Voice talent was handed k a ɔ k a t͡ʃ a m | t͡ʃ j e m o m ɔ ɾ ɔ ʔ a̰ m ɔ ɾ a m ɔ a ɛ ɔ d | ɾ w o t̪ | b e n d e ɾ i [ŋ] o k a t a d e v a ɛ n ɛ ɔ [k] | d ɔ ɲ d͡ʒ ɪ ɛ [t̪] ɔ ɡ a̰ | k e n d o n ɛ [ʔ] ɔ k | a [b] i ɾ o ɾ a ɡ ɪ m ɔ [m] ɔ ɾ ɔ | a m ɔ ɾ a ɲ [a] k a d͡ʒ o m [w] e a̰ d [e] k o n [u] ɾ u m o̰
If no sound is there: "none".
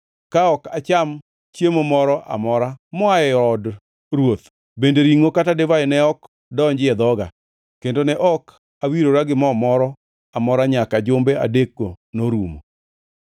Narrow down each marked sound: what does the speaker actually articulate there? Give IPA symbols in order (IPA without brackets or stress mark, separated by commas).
ŋ, k, d̪, ʔ, w, m, a, b, e, o